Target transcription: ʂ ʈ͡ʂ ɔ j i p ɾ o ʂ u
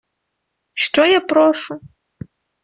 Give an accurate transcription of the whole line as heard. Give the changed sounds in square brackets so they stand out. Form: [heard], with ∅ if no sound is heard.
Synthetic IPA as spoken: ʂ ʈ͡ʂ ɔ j [a] p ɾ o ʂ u